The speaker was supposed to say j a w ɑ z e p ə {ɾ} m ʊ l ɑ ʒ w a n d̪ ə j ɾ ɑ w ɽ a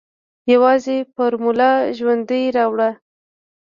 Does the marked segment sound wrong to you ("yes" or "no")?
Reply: no